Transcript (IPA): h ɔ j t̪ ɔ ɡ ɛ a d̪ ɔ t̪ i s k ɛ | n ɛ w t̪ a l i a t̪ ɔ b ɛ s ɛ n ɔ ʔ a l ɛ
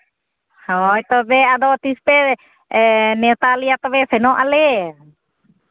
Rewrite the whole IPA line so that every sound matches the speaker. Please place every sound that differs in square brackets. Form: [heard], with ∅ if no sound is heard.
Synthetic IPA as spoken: h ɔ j t̪ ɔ [b] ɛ a d̪ ɔ t̪ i s [p] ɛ | n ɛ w t̪ a l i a t̪ ɔ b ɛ s ɛ n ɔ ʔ a l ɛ